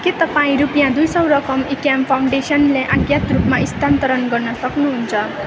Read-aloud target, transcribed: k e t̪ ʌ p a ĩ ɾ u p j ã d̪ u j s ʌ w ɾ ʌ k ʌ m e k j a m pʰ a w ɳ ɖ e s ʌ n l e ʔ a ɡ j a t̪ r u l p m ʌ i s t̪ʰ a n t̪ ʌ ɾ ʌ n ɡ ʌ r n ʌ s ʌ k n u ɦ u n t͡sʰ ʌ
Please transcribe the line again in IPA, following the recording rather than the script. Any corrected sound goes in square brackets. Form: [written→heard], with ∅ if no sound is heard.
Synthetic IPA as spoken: k e t̪ ʌ p a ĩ ɾ u p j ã d̪ u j s ʌ w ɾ ʌ k ʌ m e k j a m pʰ a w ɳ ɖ e s ʌ n l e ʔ a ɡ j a t̪ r u [l→∅] p m [ʌ→a] i s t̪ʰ a n t̪ ʌ ɾ ʌ n ɡ ʌ r n ʌ s ʌ k n u ɦ u n t͡sʰ ʌ